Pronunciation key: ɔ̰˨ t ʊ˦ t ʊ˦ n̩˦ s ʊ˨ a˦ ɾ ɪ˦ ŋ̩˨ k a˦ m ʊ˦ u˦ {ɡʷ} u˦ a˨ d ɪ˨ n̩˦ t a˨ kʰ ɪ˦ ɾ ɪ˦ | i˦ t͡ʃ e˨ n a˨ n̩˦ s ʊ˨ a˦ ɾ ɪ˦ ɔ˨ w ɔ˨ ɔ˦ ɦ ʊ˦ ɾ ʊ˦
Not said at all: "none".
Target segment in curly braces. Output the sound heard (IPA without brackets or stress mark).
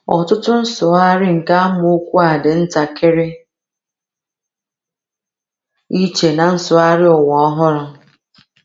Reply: kʷ